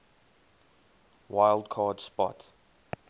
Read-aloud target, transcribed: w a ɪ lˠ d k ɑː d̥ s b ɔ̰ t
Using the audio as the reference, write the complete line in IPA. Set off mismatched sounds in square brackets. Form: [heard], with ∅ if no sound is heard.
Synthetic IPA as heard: w a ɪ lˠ d [kʰ] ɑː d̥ s [p] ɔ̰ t

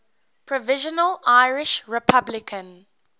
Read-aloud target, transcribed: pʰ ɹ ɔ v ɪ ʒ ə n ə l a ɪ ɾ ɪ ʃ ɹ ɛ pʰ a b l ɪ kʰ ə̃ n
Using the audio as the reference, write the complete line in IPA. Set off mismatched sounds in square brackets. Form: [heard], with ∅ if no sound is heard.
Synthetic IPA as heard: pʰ ɹ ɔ v ɪ ʒ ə n ə l a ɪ [ɹ] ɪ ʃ ɹ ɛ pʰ a b l ɪ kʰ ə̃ n

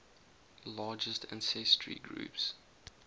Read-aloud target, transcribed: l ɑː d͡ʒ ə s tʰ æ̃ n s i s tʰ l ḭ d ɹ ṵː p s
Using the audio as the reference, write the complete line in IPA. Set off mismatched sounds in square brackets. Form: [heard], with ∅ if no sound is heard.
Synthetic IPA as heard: l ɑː d͡ʒ ə s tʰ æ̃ n s [ɛ] s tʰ [ɹ] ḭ [ɡ] ɹ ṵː p s

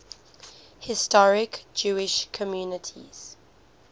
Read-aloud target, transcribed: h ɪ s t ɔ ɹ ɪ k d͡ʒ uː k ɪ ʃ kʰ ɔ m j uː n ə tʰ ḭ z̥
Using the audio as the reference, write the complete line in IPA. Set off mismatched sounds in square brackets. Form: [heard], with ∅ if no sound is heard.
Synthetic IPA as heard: h ɪ s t ɔ ɹ ɪ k d͡ʒ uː [∅] ɪ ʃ kʰ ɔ m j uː n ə tʰ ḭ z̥

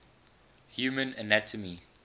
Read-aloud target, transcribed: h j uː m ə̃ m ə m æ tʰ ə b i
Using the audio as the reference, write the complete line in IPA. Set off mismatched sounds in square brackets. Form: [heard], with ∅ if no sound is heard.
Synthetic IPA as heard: h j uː m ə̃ [n] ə [n] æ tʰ ə [m] i

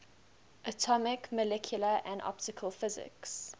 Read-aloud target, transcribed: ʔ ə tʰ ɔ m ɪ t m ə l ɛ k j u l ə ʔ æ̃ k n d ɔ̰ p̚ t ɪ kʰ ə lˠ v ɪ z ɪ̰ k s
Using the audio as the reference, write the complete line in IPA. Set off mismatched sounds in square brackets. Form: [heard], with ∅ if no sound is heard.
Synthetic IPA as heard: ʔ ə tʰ ɔ m ɪ [k] m ə l ɛ [kʰ] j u l ə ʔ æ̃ [∅] n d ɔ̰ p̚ t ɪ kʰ ə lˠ [f] ɪ z ɪ̰ k s

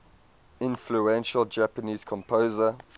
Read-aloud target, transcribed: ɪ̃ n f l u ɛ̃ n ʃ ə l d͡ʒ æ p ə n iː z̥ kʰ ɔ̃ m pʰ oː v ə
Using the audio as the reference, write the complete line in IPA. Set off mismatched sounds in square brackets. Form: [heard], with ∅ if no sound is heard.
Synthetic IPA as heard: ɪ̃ n f l u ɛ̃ n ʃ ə l d͡ʒ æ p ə n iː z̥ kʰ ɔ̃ m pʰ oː [z] ə

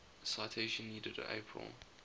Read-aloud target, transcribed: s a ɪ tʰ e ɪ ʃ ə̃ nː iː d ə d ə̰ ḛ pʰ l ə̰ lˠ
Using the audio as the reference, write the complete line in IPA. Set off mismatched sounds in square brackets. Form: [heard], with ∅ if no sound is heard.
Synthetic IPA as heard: s a ɪ tʰ e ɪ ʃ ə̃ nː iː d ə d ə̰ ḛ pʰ [ɹ] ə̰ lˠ

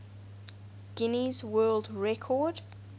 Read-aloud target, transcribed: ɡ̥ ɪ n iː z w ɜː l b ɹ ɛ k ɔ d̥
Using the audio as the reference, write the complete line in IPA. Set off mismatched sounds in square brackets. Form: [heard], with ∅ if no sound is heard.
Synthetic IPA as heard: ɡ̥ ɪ n [i] z w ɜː l [d] ɹ ɛ [kʰ] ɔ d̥

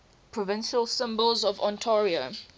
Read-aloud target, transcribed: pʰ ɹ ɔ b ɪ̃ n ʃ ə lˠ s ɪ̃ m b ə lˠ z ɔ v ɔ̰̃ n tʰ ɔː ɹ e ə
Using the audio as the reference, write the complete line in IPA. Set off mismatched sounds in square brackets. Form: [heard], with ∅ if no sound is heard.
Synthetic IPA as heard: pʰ ɹ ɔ [v] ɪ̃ n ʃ ə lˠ s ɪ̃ m b ə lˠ z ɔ v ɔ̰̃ n tʰ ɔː ɹ [i] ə

